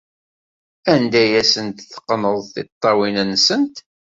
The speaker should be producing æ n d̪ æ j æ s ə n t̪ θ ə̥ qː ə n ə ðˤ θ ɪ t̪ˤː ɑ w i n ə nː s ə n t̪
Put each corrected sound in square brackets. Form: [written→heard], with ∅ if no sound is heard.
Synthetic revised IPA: æ n d̪ æ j æ s ə n t̪ θ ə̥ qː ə n ə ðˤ θ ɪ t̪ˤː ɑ w i n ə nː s ə n t̪